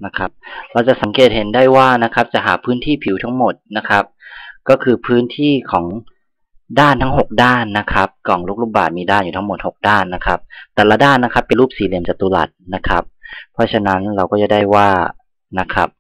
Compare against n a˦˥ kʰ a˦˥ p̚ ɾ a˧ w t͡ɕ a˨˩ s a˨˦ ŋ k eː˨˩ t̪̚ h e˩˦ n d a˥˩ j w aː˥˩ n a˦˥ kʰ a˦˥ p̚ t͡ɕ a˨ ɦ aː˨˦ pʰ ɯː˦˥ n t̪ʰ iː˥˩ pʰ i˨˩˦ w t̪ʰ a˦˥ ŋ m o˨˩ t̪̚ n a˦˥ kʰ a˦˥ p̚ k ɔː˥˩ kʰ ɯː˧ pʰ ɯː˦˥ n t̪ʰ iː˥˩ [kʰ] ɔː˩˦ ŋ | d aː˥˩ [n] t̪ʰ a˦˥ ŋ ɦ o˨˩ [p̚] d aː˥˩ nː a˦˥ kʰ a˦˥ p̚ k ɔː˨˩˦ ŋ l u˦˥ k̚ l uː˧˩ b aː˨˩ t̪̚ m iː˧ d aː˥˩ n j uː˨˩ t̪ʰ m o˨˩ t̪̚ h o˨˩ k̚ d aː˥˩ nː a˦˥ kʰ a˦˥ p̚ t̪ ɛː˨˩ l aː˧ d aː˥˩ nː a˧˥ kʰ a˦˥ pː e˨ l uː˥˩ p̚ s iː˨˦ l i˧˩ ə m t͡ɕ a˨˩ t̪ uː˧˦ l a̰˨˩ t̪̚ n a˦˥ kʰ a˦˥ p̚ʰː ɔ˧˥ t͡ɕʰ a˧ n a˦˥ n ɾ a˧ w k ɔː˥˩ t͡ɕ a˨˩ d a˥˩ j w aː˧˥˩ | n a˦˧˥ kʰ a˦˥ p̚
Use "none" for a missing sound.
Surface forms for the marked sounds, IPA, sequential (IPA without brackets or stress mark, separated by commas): kʰ, n, k̚